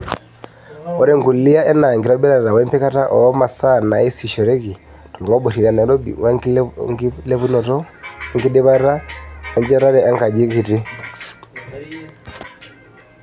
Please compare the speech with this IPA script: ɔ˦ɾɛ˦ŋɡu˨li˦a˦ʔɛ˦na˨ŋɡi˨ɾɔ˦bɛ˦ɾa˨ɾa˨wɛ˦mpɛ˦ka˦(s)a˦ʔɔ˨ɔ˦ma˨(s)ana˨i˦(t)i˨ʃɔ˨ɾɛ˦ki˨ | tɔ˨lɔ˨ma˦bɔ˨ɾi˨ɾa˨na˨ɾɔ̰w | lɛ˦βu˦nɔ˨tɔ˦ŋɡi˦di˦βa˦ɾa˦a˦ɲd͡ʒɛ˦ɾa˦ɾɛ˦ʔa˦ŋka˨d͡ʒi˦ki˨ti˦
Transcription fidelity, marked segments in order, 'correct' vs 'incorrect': incorrect, correct, incorrect

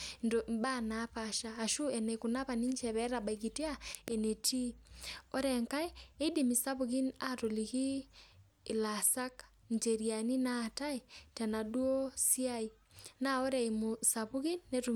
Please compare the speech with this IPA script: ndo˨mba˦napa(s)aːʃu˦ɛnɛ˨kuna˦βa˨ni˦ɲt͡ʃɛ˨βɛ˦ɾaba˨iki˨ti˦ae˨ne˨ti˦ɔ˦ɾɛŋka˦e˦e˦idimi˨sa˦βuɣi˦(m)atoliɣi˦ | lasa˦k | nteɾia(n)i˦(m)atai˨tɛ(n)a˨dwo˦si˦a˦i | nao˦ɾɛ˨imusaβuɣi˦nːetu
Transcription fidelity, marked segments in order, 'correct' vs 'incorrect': incorrect, incorrect, correct, incorrect, correct

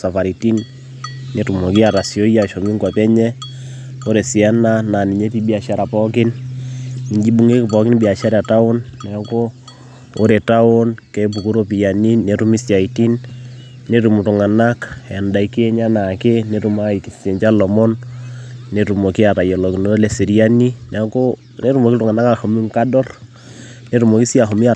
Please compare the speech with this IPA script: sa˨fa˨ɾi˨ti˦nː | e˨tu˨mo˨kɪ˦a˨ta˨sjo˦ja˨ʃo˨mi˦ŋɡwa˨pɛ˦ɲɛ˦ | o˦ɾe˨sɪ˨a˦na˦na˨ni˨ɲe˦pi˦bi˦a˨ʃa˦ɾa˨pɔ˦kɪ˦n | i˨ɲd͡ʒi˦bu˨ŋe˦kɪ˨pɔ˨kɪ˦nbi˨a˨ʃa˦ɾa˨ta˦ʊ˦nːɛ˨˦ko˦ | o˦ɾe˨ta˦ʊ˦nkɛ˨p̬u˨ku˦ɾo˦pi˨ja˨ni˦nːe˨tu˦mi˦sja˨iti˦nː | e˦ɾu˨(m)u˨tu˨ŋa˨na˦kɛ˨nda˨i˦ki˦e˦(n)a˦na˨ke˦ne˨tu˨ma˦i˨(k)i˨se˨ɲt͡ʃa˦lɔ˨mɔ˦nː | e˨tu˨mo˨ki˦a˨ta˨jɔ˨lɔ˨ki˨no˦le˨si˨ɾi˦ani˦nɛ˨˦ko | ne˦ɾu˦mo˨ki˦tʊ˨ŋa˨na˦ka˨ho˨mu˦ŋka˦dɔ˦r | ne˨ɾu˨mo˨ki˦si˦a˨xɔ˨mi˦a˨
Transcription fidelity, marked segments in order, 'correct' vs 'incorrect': correct, incorrect, correct

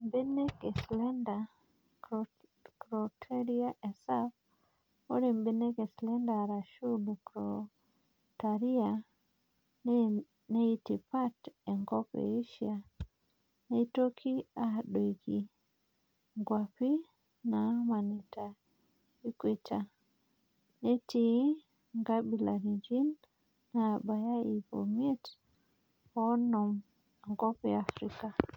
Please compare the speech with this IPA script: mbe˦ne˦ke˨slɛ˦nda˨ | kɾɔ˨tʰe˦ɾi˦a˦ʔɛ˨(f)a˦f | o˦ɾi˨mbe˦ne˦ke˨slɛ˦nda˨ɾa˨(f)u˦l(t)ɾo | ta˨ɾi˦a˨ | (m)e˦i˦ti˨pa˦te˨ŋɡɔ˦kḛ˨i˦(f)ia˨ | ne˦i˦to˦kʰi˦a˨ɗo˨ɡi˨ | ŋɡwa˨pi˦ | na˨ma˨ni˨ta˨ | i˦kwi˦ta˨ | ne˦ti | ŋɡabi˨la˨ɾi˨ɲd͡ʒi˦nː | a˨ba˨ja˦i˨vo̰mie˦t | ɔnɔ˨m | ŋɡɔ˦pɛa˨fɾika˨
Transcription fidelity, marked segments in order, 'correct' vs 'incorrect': incorrect, incorrect, incorrect, incorrect, incorrect

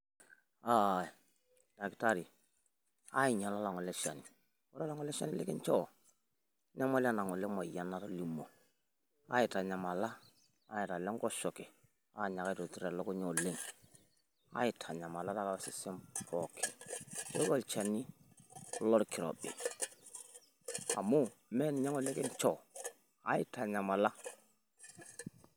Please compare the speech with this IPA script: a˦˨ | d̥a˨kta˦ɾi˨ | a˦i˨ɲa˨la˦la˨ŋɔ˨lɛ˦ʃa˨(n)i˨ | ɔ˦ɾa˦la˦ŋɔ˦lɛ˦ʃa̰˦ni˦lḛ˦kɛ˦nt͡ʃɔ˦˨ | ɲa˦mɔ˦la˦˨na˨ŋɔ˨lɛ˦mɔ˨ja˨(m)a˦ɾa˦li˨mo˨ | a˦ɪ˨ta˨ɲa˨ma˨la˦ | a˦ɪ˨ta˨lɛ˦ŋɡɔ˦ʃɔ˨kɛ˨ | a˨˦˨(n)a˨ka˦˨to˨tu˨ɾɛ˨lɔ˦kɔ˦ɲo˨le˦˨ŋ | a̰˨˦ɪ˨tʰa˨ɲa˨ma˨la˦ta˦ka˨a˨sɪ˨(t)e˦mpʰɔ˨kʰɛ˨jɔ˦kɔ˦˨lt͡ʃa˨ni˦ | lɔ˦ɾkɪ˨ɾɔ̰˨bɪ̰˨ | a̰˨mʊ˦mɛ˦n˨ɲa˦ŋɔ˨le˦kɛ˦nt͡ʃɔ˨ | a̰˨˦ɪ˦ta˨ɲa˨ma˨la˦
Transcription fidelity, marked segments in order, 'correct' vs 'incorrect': correct, incorrect, incorrect, incorrect

